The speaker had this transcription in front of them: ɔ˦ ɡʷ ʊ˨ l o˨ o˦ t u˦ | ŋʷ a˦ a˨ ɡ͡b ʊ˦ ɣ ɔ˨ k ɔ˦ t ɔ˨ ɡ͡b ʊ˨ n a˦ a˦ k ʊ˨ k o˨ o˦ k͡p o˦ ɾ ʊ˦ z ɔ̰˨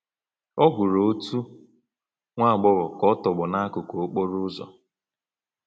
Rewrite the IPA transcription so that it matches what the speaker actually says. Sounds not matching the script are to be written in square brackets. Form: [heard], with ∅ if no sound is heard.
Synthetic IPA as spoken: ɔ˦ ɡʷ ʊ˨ [ɾ] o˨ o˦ t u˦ | ŋʷ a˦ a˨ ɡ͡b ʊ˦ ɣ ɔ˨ k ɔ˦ t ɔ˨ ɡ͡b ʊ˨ n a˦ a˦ k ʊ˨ k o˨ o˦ k͡p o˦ ɾ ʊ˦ z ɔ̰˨

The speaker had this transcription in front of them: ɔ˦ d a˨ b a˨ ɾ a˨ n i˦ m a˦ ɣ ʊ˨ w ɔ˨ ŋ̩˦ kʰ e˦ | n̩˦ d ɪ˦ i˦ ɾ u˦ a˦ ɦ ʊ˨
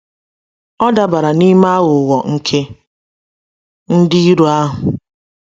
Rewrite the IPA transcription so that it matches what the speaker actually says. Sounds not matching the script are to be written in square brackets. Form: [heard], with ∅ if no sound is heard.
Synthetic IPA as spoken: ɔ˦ d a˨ b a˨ ɾ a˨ n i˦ m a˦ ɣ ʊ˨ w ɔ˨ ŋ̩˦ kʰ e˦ | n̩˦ d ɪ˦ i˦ ɾ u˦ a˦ ɦ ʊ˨

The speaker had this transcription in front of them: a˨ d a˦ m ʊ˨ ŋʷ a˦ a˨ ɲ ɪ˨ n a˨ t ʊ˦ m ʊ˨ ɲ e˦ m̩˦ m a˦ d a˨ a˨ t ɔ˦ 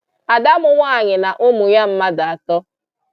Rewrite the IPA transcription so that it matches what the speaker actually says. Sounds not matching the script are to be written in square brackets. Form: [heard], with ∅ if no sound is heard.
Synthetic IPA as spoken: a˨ d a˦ m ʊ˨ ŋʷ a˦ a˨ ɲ ɪ˨ n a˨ [ʔ] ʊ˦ m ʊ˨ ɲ [a˦] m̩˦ m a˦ d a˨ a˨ t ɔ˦

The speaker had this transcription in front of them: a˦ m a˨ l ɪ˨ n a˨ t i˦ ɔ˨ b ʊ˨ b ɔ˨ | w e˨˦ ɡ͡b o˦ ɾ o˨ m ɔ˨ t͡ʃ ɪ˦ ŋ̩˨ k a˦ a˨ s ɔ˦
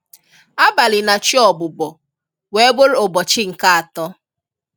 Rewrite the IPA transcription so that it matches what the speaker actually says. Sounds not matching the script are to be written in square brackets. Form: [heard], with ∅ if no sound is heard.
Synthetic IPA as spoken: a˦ [b] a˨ l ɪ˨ n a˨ [t͡ʃ] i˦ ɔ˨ b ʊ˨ b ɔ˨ | w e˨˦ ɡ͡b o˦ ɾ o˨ [b] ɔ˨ t͡ʃ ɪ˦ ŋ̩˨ k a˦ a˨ [t] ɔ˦

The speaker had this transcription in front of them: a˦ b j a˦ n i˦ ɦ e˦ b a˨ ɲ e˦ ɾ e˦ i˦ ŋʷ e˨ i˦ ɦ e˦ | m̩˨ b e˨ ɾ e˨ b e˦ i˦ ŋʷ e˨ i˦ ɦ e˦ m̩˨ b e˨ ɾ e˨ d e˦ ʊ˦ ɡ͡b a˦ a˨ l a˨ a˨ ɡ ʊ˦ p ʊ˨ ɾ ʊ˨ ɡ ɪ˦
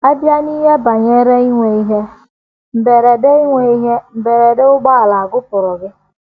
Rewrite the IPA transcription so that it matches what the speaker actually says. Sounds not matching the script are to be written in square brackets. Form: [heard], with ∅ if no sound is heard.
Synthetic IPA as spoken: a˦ b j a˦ n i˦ ɦ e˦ b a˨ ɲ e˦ ɾ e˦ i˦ ŋʷ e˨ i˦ ɦ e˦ | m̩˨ b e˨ ɾ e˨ [d] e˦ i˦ ŋʷ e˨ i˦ ɦ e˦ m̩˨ b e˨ ɾ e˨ d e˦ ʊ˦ ɡ͡b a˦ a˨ l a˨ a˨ ɡ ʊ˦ p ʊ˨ ɾ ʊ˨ ɡ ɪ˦

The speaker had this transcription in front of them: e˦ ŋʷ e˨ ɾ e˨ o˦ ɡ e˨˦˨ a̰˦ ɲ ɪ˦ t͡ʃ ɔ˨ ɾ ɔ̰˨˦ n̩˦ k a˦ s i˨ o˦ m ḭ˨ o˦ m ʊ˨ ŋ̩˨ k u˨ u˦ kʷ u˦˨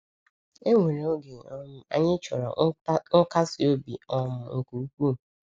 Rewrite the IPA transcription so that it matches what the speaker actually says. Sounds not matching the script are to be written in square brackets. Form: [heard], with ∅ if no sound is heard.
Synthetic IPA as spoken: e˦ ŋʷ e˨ ɾ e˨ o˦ ɡ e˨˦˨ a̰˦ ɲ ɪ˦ t͡ʃ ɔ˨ ɾ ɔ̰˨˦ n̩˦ k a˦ s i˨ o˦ [b] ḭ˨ [ɔ˦] m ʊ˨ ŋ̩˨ k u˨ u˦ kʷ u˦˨

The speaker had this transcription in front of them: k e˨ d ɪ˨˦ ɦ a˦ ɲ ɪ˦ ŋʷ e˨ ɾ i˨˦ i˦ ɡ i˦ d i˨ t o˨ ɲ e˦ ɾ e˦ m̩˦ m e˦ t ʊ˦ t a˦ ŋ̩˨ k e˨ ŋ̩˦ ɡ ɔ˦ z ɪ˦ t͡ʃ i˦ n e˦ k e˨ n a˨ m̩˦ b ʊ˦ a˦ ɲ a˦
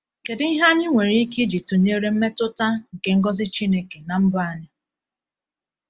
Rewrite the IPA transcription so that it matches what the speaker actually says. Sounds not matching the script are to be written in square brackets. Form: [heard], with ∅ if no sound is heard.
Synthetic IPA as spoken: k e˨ d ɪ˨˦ ɦ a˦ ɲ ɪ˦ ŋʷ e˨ ɾ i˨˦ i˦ [k] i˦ [d͡ʒ] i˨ t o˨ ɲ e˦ ɾ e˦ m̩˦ m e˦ t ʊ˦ t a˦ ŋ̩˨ k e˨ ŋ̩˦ ɡ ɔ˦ z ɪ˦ t͡ʃ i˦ n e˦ k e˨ n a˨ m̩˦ b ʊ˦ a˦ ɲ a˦

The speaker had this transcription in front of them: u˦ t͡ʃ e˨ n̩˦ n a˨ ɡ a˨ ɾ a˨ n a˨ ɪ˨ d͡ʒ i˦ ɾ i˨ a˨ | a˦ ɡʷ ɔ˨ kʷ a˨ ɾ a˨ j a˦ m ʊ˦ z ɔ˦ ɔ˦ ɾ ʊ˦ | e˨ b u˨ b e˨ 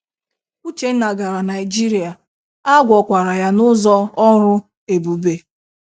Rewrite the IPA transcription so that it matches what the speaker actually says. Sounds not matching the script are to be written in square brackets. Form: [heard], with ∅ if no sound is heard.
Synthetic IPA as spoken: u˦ t͡ʃ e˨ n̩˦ n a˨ ɡ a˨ ɾ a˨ n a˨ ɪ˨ d͡ʒ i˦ ɾ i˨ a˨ | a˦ ɡʷ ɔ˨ kʷ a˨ ɾ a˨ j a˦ [n] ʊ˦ z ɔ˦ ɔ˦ ɾ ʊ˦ | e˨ b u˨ b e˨

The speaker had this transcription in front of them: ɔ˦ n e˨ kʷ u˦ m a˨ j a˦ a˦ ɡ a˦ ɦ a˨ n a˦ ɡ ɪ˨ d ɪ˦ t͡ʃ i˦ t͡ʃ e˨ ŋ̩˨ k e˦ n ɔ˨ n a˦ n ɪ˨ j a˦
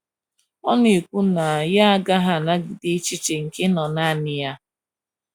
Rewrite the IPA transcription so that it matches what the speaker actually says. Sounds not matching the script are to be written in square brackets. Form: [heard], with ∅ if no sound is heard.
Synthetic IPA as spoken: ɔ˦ n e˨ kʷ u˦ [n] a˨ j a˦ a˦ ɡ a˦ ɦ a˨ n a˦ ɡ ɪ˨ d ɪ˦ t͡ʃ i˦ t͡ʃ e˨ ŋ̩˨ k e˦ n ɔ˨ n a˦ n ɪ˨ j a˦

